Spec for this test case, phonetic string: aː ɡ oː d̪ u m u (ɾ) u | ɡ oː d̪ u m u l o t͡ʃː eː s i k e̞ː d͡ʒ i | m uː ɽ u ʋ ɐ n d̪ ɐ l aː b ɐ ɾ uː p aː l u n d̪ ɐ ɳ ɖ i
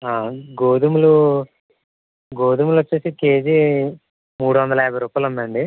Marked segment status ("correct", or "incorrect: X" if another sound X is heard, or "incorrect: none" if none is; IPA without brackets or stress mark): incorrect: l